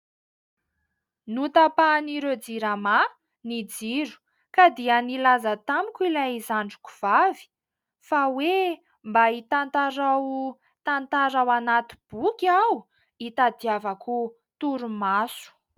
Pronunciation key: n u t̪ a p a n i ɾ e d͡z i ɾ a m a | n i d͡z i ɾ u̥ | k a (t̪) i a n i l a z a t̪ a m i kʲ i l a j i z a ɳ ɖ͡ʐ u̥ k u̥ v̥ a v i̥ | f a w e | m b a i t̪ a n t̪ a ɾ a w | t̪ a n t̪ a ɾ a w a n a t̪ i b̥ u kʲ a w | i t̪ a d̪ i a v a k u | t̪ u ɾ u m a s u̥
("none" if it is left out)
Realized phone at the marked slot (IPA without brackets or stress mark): d̪